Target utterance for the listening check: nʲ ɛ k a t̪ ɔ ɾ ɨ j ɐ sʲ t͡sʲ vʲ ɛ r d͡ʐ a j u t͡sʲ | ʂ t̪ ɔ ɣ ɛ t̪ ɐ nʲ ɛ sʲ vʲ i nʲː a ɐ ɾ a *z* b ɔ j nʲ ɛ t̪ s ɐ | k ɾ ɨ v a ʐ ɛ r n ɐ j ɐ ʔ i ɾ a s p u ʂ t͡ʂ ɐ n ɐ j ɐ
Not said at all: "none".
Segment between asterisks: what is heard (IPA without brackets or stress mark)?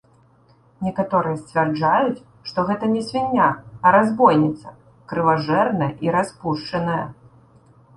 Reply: z